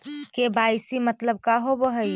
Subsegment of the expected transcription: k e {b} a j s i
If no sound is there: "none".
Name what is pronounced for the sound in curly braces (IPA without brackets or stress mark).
b